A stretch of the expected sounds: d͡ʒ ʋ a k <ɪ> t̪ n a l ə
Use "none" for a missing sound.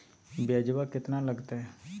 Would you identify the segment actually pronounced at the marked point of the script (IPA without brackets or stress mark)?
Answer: ɪ